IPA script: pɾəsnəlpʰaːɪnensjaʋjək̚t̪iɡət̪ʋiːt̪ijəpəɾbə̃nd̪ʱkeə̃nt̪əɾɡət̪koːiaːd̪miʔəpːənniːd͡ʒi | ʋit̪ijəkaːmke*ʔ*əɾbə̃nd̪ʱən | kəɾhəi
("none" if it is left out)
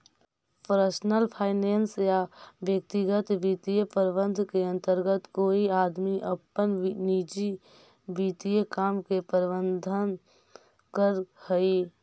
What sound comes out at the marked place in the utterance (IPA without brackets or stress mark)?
p